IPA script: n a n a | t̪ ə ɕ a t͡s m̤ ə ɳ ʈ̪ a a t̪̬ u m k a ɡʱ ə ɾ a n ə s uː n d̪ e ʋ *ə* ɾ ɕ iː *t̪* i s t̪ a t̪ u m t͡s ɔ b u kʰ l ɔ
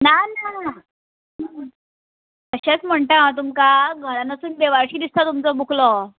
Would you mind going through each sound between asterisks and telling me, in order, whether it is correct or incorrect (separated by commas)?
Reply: incorrect, incorrect